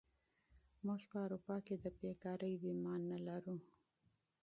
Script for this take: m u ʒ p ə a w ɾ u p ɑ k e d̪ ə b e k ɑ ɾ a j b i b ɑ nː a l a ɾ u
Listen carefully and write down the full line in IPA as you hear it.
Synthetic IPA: m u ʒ p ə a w ɾ u p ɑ k e d̪ ə b e k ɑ ɾ ə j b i m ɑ nː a l a ɾ u